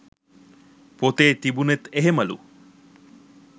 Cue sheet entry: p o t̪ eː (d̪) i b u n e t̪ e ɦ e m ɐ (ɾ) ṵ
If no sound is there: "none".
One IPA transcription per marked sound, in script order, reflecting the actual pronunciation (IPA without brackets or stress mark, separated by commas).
t̪, l